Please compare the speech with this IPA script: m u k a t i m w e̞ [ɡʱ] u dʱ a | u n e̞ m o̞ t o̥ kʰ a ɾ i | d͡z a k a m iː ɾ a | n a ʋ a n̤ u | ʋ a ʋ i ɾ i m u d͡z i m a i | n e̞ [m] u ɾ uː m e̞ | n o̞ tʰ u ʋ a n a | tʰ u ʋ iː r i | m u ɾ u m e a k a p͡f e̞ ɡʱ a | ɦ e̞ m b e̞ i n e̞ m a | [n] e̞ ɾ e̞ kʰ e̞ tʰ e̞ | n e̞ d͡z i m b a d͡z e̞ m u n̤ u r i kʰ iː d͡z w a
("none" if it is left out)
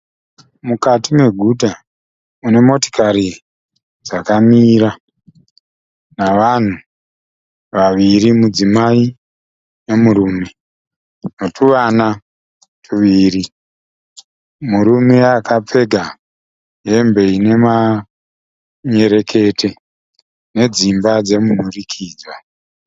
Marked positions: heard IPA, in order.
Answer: ɡʱ, m, ɲ

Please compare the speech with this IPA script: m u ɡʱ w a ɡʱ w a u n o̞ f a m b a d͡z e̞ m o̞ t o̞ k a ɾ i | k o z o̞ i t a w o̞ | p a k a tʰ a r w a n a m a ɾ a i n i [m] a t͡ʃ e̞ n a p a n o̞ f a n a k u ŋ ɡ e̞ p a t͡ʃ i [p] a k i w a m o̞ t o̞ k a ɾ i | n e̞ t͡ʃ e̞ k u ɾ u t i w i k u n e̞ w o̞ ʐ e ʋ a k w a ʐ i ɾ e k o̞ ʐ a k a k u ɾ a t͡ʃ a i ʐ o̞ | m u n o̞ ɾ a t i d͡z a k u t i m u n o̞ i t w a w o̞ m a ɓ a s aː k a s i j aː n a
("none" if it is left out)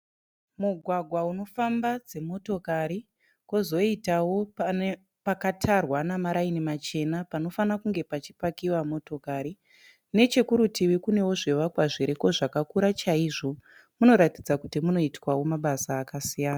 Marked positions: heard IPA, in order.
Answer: m, p

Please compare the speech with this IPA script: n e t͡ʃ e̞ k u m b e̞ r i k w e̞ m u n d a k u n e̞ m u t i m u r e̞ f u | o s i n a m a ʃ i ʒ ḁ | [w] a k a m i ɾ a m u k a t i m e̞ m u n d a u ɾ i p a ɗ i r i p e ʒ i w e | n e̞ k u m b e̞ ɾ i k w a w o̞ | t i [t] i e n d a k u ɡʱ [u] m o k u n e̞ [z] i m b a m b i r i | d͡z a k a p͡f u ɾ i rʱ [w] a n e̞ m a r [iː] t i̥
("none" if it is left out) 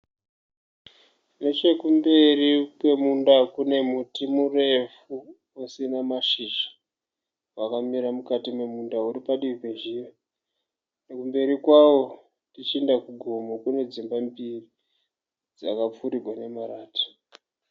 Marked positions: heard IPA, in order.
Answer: w, t͡ʃ, o, d͡z, w, aː

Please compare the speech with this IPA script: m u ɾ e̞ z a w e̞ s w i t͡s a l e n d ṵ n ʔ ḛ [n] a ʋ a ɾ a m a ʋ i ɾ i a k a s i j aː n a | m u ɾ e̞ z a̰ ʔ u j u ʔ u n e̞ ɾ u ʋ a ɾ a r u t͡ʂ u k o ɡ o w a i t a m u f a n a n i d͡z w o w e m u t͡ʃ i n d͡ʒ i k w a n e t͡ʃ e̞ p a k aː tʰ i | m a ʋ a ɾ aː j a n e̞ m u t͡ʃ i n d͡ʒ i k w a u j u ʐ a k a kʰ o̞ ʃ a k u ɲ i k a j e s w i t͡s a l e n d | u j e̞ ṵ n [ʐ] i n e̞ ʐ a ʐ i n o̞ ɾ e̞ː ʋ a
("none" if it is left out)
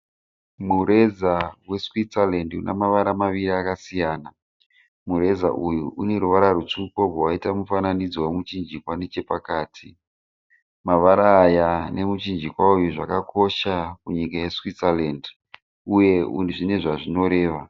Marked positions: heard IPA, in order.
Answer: m, ʐ

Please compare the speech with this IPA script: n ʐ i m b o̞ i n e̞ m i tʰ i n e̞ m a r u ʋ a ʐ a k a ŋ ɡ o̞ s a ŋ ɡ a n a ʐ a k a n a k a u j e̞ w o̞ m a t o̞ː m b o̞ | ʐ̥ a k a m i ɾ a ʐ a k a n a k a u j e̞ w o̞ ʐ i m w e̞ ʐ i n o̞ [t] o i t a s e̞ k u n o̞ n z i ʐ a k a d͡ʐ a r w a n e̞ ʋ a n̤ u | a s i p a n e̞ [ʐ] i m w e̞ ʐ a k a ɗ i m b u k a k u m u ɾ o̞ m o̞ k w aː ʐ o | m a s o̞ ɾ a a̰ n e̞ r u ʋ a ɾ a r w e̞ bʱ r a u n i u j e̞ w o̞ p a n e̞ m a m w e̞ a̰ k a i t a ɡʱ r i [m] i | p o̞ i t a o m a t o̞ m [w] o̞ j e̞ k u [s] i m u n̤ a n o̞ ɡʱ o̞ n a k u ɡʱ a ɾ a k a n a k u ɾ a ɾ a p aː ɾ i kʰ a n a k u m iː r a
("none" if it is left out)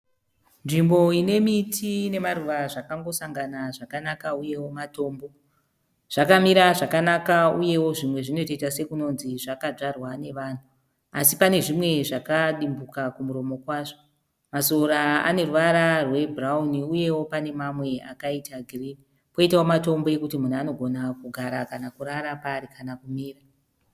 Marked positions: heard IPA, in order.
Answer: t, ʐ, n, b, t

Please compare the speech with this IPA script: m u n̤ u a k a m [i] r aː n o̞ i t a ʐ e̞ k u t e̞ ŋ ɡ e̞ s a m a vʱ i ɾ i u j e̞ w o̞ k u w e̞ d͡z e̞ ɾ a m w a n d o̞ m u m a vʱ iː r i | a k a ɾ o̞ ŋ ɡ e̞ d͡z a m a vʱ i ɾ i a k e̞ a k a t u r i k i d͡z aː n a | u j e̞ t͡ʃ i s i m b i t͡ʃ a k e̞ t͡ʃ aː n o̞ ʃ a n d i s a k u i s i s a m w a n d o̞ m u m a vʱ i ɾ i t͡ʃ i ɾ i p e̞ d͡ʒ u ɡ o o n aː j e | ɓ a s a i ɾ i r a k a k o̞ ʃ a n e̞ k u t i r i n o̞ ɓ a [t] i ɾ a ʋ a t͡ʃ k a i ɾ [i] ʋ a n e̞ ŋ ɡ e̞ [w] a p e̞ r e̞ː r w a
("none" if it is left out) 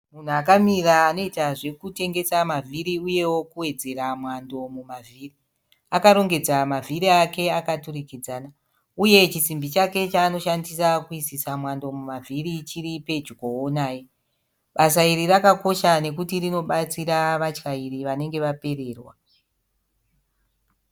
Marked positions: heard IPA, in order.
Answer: i, t͡s, i, ʋ

